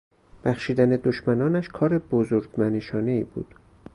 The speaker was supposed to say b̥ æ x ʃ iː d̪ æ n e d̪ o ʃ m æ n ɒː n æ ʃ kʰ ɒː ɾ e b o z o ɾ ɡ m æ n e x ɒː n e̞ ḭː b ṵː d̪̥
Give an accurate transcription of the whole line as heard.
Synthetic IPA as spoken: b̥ æ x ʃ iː d̪ æ n e d̪ o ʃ m æ n ɒː n æ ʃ kʰ ɒː ɾ e b o z o ɾ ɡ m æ n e ʃ ɒː n e̞ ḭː b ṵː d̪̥

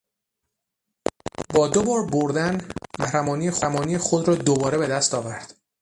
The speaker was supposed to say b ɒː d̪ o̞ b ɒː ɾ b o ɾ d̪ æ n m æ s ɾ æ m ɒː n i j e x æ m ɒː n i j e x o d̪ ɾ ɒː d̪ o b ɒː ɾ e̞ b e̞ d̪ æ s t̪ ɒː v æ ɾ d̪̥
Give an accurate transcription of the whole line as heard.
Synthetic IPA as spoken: b ɒː d̪ o̞ b ɒː ɾ b o ɾ d̪ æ n m æ h ɾ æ m ɒː n i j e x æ m ɒː n i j e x o d̪ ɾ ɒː d̪ o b ɒː ɾ e̞ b e̞ d̪ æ s t̪ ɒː v æ ɾ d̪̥

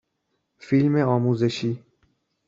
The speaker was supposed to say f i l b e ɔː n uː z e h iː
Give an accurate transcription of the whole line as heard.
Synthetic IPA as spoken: f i l m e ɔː m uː z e ʃ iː

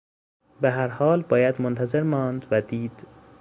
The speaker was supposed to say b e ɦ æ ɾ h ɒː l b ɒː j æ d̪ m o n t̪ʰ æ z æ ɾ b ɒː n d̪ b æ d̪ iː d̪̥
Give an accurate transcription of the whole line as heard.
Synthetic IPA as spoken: b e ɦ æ ɾ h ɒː l b ɒː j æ d̪ m o n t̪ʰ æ z e ɾ m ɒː n d̪ v æ d̪ iː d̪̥

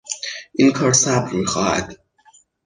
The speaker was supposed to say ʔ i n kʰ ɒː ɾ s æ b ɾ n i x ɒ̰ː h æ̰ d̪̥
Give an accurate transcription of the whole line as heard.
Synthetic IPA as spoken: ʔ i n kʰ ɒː ɾ s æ b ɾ m i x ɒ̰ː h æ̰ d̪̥

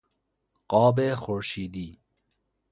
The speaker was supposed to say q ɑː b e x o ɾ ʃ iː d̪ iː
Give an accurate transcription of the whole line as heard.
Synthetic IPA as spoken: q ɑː b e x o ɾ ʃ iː d̪ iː

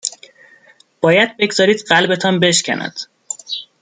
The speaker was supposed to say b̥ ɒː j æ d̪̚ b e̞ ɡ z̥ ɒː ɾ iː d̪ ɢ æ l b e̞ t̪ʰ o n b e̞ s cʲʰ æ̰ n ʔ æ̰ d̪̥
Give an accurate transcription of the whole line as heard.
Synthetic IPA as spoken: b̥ ɒː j æ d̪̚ b e̞ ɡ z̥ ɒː ɾ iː d̪ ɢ æ l b e̞ t̪ʰ ɒ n b e̞ ʃ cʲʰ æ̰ n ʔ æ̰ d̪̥

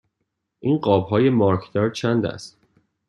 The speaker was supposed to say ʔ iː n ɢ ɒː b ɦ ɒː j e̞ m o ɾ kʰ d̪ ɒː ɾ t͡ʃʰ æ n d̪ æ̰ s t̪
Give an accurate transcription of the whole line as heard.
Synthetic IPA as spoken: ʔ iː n ɢ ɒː b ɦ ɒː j e̞ m ɒ ɾ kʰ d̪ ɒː ɾ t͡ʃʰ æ n d̪ æ̰ s t̪

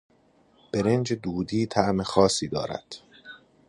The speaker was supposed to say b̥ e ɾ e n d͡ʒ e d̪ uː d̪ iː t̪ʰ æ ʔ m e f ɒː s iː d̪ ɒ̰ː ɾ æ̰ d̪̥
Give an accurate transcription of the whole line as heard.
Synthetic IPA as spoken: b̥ e ɾ e n d͡ʒ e d̪ uː d̪ iː t̪ʰ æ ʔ m e x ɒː s iː d̪ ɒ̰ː ɾ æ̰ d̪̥

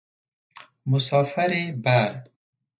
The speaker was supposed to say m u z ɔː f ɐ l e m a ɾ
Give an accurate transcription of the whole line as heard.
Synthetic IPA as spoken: m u s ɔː f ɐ ɾ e b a ɾ

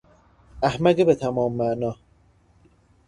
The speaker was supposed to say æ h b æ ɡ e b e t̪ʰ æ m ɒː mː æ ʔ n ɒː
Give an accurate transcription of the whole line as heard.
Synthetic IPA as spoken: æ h m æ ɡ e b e t̪ʰ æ m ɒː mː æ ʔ n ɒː

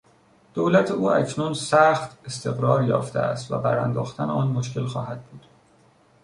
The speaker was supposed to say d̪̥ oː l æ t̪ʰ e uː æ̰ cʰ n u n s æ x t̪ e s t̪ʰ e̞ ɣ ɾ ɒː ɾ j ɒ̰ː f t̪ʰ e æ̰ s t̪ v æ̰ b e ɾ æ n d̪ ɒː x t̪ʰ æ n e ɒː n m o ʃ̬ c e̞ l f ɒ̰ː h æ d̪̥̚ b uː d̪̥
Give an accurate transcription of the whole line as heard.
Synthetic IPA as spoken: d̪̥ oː l æ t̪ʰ e uː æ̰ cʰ n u n s æ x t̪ e s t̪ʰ e̞ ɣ ɾ ɒː ɾ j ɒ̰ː f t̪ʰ e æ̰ s t̪ v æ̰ b æ ɾ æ n d̪ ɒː x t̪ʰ æ n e ɒː n m o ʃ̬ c e̞ l x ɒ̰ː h æ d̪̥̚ b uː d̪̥

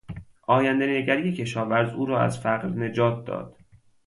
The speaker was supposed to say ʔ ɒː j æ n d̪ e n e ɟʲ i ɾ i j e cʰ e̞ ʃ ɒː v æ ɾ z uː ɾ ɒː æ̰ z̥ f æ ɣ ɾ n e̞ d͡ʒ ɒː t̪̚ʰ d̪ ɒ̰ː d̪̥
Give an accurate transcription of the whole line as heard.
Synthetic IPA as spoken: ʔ ɒː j æ n d̪ e n e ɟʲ æ ɾ i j e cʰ e̞ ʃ ɒː v æ ɾ z uː ɾ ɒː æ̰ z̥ f æ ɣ ɾ n e̞ d͡ʒ ɒː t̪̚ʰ d̪ ɒ̰ː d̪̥

